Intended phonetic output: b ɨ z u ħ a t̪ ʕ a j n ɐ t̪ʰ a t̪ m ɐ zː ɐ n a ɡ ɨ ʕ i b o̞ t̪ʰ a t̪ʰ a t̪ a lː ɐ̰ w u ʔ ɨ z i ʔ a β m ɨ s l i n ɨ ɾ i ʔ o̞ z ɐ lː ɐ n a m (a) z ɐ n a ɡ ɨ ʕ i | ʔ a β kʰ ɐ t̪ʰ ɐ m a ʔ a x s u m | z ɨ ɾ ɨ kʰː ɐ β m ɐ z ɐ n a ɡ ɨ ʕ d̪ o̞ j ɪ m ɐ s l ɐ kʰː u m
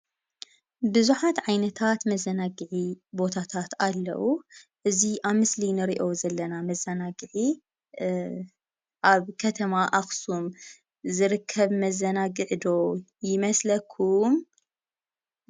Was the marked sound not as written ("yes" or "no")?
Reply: yes